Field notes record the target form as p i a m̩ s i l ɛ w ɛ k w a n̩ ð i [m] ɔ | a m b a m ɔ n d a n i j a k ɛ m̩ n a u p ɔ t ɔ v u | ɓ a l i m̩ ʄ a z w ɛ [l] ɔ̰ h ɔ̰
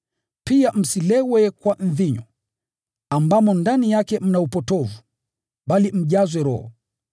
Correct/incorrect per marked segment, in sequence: incorrect, incorrect

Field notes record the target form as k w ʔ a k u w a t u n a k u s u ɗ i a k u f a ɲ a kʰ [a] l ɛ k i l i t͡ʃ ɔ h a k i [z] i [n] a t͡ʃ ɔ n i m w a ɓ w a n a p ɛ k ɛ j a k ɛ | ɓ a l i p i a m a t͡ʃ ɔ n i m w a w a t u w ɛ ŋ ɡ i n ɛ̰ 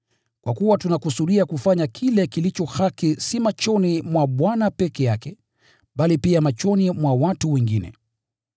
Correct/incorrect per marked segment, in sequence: incorrect, incorrect, incorrect

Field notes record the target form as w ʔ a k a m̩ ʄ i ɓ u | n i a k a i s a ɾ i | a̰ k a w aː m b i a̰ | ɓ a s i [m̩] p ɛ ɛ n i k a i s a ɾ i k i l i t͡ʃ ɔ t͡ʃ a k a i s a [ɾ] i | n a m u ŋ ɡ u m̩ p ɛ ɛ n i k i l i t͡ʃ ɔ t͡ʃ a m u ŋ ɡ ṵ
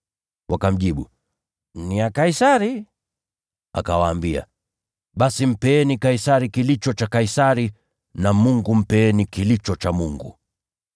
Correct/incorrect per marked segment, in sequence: correct, correct

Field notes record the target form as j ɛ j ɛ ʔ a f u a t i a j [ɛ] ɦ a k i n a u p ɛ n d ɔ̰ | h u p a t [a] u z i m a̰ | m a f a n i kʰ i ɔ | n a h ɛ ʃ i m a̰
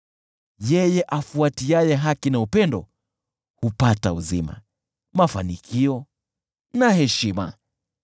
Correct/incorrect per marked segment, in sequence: correct, correct

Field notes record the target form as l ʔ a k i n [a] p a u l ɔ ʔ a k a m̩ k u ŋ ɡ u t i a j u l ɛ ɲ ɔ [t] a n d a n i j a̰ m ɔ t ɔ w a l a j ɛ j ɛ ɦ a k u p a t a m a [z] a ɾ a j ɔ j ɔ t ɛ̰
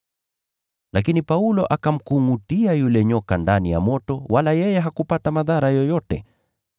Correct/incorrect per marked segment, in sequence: incorrect, incorrect, incorrect

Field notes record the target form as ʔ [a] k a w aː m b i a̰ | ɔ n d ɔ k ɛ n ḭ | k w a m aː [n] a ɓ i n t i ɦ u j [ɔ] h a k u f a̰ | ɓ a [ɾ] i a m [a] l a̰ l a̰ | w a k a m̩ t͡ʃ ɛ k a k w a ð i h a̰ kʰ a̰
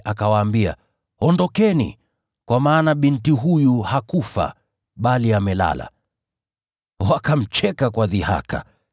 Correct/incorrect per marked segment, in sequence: correct, correct, incorrect, incorrect, incorrect

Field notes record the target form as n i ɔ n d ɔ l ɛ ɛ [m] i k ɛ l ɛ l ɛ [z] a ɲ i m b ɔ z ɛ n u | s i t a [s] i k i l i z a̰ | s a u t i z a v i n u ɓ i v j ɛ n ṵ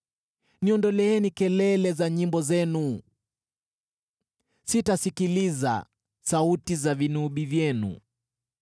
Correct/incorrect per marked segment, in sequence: incorrect, correct, correct

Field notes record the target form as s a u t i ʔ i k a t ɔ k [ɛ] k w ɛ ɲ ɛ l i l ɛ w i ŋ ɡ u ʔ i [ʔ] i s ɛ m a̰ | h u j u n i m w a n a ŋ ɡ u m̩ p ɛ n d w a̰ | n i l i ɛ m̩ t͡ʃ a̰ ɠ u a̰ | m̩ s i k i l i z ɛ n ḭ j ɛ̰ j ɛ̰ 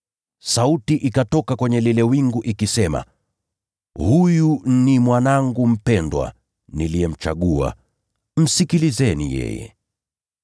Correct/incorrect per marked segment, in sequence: incorrect, incorrect

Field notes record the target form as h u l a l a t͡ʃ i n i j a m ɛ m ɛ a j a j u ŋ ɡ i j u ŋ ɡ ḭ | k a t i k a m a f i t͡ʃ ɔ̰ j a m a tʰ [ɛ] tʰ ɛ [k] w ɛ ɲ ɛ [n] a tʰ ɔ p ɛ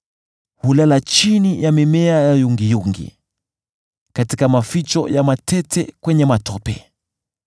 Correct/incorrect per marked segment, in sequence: correct, correct, incorrect

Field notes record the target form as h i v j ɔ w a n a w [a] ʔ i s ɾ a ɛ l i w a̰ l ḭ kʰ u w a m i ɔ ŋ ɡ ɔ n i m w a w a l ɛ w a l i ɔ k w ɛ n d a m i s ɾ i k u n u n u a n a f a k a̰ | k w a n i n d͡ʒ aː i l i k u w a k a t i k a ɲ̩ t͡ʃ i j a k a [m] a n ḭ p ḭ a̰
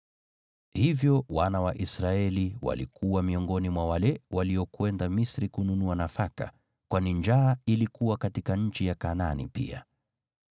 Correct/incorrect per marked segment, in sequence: correct, incorrect

